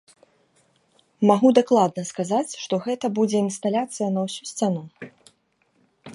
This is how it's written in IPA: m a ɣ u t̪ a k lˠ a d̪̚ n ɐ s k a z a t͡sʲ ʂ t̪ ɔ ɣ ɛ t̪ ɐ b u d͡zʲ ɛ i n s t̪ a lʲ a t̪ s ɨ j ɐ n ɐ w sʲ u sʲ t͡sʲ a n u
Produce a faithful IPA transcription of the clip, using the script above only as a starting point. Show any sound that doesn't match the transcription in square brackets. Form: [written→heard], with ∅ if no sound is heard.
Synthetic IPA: m a ɣ u [t̪→d̪] a k lˠ a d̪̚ n ɐ s k a z a t͡sʲ ʂ t̪ ɔ ɣ ɛ t̪ ɐ b u d͡zʲ ɛ i n s t̪ a lʲ a t̪ s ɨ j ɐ n ɐ w sʲ u sʲ t͡sʲ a n u